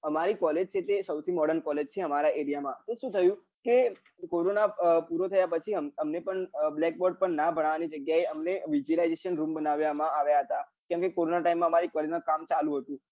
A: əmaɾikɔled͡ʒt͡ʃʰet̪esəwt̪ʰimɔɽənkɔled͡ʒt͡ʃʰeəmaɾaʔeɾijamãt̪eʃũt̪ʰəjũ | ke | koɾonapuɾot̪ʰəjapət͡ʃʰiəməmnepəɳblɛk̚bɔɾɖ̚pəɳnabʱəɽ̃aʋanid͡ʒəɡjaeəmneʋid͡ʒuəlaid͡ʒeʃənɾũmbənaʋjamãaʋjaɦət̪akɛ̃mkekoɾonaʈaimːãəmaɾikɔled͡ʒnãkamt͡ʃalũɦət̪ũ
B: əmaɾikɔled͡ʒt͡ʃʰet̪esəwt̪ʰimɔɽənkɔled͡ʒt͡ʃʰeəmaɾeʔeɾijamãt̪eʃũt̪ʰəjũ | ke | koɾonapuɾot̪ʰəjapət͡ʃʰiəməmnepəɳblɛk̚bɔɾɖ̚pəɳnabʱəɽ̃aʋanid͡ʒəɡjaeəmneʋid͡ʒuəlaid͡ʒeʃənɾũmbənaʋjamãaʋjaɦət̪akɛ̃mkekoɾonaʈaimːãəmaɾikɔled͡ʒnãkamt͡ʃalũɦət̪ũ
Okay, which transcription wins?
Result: A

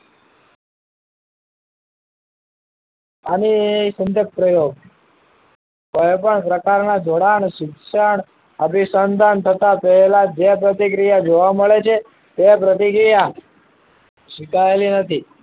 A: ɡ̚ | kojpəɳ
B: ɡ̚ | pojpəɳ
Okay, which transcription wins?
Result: A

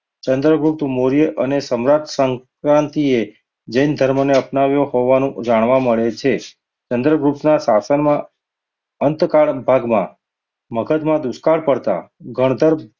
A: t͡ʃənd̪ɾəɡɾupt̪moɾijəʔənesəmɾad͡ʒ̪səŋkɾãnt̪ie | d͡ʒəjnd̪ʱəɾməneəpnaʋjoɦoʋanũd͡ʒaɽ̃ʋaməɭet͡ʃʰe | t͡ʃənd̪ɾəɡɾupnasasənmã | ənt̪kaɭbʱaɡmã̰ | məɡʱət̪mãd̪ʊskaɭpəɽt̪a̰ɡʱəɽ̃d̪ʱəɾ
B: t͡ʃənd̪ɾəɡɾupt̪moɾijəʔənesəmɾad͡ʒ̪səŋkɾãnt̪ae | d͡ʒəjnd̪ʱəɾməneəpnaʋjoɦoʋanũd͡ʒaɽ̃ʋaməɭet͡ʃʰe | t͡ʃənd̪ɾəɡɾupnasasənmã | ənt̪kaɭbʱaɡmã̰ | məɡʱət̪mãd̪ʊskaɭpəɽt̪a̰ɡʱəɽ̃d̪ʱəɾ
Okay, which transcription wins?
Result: A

